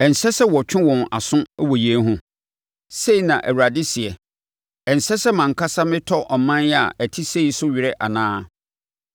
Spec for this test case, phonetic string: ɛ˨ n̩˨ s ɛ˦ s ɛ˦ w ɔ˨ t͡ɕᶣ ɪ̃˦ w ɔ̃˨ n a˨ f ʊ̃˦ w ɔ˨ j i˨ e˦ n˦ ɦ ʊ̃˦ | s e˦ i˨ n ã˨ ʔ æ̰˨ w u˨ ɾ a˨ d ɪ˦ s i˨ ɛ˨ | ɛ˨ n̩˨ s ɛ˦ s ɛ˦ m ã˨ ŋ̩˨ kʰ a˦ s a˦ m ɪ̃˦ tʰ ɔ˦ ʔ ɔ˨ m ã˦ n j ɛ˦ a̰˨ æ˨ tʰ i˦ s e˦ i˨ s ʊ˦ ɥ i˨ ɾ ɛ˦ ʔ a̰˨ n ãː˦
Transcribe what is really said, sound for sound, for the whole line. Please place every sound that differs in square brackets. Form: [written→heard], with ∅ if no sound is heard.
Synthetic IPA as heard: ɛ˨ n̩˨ s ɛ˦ s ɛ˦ w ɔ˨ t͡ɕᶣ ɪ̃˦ w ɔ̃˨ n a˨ [f→s] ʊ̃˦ w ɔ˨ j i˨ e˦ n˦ ɦ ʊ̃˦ | s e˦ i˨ n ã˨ ʔ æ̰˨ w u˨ ɾ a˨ d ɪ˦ s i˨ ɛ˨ | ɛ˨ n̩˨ s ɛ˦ s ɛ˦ m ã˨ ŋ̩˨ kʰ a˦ s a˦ m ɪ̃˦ tʰ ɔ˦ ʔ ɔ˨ m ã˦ n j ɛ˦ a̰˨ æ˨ tʰ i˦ s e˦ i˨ s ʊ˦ ɥ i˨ ɾ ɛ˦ ʔ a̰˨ n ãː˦

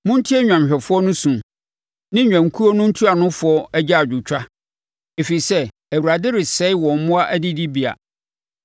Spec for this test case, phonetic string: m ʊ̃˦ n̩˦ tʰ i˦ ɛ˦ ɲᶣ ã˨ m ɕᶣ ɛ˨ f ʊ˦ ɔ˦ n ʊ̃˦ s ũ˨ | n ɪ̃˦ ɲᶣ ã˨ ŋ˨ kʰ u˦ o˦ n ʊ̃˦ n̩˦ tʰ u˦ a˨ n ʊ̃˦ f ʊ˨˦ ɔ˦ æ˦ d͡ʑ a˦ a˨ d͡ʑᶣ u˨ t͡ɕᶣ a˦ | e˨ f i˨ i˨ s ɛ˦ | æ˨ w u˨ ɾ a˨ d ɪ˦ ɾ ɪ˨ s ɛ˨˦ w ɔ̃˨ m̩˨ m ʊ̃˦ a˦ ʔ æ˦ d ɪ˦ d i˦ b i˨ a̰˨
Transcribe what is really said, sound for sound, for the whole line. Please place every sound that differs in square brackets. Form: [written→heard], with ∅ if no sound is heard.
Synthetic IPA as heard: m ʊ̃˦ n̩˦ tʰ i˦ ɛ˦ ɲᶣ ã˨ m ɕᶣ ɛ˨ f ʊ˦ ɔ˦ n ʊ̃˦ s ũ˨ | n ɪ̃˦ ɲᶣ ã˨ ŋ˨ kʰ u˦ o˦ n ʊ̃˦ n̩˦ tʰ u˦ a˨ n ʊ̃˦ f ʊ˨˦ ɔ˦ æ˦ d͡ʑ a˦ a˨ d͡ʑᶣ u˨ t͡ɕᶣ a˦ | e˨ f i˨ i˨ s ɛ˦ | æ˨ w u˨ ɾ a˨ d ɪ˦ ɾ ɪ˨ s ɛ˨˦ w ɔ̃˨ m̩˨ m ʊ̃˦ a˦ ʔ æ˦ d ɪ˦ d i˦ b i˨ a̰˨

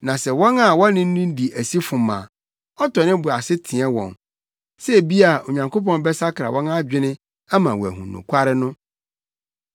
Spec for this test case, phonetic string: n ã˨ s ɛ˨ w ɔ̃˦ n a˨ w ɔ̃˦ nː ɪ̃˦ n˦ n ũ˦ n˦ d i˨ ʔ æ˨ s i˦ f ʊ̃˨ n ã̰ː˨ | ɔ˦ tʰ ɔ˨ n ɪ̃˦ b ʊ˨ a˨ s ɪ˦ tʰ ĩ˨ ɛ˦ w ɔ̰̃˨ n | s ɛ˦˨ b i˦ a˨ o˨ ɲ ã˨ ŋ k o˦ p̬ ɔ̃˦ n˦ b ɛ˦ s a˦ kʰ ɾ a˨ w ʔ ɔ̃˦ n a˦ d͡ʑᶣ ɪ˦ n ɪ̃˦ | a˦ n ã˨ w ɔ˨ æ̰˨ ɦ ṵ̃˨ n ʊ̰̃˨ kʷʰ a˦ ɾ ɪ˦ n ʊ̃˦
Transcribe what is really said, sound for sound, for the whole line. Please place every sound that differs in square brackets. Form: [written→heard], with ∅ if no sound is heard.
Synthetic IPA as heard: n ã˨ s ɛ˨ w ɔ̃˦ n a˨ w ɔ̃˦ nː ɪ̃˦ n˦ n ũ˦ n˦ d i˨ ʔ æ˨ s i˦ f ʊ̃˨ [n→m] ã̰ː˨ | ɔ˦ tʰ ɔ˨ n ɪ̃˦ b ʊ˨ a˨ s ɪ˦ tʰ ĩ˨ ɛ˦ w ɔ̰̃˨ n | s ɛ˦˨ b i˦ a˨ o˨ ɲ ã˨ ŋ k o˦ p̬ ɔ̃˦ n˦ b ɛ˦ s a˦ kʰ ɾ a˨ w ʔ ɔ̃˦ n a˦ d͡ʑᶣ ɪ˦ n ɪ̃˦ | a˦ [n→m] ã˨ w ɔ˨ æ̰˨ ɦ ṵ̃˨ n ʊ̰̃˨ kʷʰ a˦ ɾ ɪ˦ n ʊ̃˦

